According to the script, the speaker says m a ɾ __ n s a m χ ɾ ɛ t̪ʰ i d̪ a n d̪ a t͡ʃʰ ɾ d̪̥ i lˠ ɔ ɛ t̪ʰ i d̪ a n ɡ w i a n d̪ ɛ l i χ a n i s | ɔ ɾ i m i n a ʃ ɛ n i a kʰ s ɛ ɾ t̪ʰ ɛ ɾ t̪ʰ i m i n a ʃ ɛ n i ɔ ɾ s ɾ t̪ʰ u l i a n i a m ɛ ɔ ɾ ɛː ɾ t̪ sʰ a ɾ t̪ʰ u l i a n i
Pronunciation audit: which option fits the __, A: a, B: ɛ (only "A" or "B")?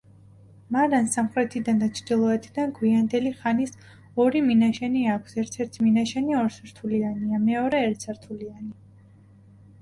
A